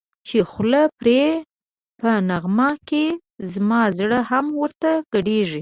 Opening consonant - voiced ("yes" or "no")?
no